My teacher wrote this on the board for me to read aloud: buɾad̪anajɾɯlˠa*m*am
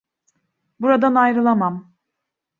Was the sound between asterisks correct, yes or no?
yes